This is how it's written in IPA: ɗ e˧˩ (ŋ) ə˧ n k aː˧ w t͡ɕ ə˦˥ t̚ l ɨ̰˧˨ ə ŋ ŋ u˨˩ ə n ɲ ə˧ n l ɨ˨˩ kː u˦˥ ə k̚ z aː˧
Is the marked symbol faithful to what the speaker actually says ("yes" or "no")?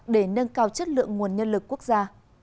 no